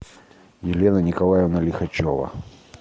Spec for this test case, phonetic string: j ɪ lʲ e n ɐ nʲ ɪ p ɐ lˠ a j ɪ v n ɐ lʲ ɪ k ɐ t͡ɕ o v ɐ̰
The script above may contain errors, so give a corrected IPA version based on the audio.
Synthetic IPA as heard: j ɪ lʲ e n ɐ nʲ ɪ k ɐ lˠ a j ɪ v n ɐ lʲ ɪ x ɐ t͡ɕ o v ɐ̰

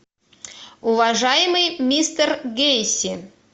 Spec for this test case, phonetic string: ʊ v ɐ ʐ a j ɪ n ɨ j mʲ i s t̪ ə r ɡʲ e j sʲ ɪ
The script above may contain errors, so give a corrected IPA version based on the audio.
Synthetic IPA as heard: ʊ v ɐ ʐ a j ɪ m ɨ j mʲ i s t̪ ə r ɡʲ e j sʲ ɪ

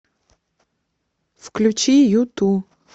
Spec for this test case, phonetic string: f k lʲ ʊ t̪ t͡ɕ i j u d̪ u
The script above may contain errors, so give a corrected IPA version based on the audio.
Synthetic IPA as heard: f k lʲ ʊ t͡ɕ i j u t̪ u

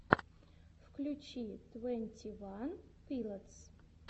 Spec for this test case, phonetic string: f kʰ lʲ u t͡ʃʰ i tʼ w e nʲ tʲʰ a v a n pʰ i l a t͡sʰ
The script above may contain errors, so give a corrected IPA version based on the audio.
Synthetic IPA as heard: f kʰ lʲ u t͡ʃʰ i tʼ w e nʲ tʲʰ i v a n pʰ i l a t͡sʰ

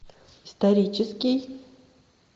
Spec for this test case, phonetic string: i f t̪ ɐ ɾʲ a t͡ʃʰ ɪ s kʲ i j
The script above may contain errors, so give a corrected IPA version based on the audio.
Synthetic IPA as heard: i s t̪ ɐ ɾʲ i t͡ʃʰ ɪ s kʲ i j

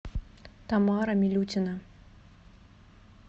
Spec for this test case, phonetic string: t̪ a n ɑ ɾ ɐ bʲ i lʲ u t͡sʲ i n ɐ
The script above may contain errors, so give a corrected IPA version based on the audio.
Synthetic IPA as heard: t̪ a m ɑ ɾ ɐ mʲ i lʲ u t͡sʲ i n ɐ

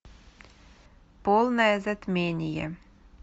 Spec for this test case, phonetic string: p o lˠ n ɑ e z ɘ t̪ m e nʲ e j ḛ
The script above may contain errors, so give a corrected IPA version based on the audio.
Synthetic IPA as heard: p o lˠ n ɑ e z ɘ t̪ m e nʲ i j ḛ

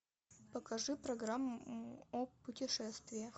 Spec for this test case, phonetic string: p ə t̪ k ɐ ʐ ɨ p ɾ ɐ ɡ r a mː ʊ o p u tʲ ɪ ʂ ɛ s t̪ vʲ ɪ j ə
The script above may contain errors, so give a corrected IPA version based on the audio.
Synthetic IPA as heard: p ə k ɐ ʐ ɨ p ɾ ɐ ɡ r a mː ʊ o p ʊ tʲ ɪ ʂ ɛ s t̪ vʲ ɪ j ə

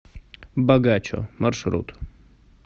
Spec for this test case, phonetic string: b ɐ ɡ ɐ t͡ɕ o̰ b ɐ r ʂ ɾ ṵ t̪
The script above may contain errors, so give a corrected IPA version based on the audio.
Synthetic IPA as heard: b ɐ ɡ a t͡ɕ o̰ m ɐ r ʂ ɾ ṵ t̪

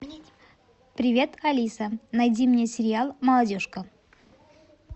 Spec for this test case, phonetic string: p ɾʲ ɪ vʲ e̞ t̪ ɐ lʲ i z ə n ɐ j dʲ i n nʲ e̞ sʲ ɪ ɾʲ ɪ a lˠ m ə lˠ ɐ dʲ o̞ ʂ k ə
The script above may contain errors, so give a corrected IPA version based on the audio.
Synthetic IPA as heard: p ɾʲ ɪ vʲ e̞ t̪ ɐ lʲ i s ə n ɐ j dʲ i m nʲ e̞ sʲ ɪ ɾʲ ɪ a lˠ m ə lˠ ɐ dʲ o̞ ʂ k ə

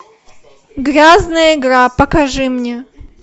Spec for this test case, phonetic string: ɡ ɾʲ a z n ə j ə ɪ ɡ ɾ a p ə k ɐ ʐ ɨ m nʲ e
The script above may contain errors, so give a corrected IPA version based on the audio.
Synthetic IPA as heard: ɡ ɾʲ a z n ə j ə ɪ ɡ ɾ a p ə k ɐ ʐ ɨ m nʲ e

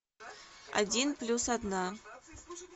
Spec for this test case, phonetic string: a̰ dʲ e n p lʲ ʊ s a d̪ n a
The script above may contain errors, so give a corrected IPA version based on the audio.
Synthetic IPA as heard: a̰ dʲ i n p lʲ u s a d̪ n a

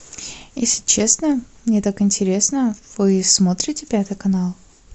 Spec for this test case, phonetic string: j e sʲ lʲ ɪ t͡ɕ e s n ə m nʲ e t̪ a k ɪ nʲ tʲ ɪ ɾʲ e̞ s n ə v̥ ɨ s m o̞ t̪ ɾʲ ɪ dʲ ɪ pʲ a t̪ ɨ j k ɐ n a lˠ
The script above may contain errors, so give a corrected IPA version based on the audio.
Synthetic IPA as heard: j e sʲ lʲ ɪ t͡ɕ e s n ə m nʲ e t̪ a k ɪ nʲ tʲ ɪ ɾʲ e̞ s n ə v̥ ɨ s m o̞ t̪ ɾʲ ɪ tʲ ɪ pʲ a t̪ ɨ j k ɐ n a lˠ

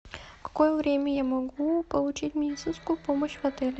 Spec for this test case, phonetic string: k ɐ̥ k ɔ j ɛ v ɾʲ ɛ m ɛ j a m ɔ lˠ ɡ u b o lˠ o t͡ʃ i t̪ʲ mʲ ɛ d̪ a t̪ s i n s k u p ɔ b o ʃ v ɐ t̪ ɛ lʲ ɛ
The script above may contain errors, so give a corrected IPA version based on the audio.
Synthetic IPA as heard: k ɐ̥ k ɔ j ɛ v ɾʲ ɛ m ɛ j a m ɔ ɡ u p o lˠ u t͡ʃ i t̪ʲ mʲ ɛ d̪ i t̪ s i n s k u p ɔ m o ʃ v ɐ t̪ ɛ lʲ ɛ

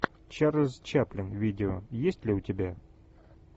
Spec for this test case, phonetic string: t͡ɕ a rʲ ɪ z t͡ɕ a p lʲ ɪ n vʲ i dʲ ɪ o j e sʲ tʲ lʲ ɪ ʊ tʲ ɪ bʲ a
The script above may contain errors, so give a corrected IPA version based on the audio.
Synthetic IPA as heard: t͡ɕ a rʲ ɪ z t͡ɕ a p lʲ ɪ n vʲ i dʲ ɪ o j e sʲ tʲ lʲ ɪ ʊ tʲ ɪ bʲ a

